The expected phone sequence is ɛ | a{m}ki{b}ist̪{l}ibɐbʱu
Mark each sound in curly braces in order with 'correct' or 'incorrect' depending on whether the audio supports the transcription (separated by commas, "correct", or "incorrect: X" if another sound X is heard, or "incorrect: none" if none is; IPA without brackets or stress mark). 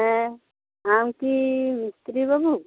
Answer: correct, incorrect: m, incorrect: ɾ